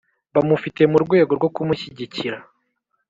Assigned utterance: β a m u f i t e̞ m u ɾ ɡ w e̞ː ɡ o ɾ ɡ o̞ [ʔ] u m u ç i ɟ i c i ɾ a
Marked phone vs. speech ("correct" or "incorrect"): incorrect